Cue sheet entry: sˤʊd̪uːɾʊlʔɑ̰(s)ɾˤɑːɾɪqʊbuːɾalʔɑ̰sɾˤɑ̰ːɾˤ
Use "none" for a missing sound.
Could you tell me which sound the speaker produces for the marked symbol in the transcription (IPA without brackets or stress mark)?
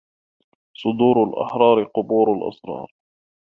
ħ